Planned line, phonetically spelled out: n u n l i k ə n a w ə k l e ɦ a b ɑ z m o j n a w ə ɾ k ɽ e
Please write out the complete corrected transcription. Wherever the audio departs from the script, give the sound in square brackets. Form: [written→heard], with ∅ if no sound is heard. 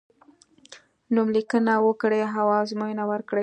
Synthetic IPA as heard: n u [n→m] l i k ə n a w ə k [l→ɽ] e ɦ a [b→w] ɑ z m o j n a w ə ɾ k ɽ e